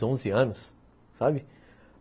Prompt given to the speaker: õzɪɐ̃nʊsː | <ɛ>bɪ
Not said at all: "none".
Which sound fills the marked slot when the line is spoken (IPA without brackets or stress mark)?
a